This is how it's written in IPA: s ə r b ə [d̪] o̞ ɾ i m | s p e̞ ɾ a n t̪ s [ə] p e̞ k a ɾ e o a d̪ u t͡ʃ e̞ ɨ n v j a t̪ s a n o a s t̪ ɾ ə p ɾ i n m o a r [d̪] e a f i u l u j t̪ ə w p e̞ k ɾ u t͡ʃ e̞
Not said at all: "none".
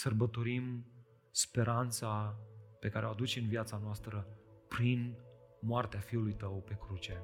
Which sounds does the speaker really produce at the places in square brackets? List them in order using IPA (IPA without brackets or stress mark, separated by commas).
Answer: t̪, a, t̪